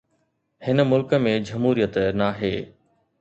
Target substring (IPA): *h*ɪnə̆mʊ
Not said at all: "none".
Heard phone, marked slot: h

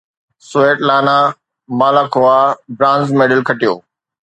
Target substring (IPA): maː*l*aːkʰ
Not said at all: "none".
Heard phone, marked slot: l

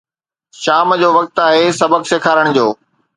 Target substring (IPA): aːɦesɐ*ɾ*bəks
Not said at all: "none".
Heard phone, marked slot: none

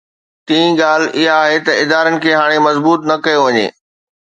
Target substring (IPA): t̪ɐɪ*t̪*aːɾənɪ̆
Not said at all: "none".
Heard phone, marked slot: d̪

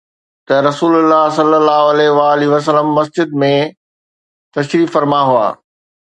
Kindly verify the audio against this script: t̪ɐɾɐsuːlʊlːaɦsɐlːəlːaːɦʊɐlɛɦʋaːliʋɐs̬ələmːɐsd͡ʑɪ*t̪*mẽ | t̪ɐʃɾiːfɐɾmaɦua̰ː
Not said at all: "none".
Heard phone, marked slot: d̪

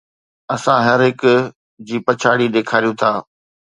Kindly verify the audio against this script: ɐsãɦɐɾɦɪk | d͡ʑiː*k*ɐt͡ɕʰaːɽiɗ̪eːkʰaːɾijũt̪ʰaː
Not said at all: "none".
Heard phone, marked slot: p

